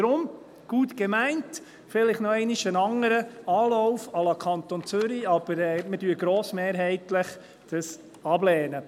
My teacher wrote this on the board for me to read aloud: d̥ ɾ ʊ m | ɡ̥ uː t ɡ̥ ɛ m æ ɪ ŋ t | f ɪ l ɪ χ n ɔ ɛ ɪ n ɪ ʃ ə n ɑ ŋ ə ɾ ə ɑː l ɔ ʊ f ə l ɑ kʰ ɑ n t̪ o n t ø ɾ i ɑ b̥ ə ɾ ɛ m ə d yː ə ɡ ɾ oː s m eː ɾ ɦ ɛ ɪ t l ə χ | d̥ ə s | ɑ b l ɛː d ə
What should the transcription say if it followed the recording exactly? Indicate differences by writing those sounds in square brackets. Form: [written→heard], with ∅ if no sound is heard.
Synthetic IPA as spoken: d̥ ɾ ʊ m | ɡ̥ uː t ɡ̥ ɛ m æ ɪ [ŋ→n] t | f ɪ l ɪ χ n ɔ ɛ ɪ n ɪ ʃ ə n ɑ ŋ ə ɾ ə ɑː l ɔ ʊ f [ə→ɑ] l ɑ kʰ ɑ n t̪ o n [t→t͡s] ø ɾ i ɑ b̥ ə ɾ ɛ m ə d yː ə ɡ ɾ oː s m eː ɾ ɦ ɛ ɪ t l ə χ | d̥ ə s | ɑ b l ɛː [d→n] ə